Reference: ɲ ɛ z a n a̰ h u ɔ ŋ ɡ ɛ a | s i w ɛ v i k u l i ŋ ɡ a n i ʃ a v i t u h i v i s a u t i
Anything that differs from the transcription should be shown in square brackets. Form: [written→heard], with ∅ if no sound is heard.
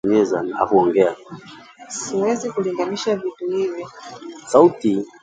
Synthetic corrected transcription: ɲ ɛ z a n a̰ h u ɔ ŋ ɡ ɛ a | s i w ɛ [v→z] i k u l i ŋ ɡ a n i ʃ a v i t u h i v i s a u t i